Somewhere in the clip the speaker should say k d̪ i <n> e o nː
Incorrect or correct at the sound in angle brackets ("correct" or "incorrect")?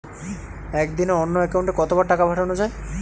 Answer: correct